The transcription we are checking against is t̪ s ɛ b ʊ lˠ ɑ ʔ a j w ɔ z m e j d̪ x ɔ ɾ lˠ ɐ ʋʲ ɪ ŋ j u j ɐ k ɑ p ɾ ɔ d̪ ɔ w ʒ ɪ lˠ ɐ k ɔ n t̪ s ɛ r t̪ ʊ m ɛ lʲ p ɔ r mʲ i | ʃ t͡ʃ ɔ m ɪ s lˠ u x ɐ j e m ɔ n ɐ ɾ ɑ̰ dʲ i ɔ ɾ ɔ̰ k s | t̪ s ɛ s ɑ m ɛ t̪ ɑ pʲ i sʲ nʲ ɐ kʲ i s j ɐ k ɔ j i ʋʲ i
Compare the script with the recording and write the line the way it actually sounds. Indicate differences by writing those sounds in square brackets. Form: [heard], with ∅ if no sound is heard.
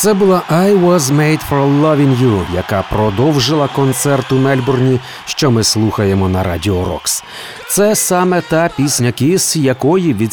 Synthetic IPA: t̪ s ɛ b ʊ lˠ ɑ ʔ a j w ɔ z m e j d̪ [f] ɔ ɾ lˠ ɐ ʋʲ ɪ ŋ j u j ɐ k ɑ p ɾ ɔ d̪ ɔ w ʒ ɪ lˠ ɐ k ɔ n t̪ s ɛ r t̪ ʊ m ɛ lʲ [b] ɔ r [nʲ] i | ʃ t͡ʃ ɔ m ɪ s lˠ u x ɐ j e m ɔ n ɐ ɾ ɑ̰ dʲ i ɔ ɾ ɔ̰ k s | t̪ s ɛ s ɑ m ɛ t̪ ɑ pʲ i sʲ nʲ ɐ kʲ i s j ɐ k ɔ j i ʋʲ i